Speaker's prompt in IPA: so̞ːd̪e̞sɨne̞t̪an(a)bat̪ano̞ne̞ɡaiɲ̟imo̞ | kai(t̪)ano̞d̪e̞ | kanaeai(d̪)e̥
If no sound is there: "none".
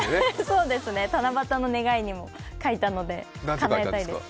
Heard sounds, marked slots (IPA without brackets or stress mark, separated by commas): a, t̪, d̪